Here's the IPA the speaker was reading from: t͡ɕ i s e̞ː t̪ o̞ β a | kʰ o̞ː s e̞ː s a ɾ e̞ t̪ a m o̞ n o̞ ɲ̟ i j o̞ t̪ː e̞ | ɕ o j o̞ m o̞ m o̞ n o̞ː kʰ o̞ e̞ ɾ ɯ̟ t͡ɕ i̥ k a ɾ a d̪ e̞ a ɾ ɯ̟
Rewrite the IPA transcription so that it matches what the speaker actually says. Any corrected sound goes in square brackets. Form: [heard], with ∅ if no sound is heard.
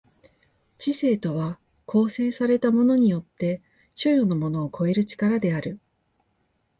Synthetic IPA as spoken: t͡ɕ i s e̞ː t̪ o̞ β a | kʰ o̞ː s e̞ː s a ɾ e̞ t̪ a m o̞ n o̞ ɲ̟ i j o̞ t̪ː e̞ | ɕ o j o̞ [n] o̞ m o̞ n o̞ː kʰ o̞ e̞ ɾ ɯ̟ t͡ɕ i̥ k a ɾ a d̪ e̞ a ɾ ɯ̟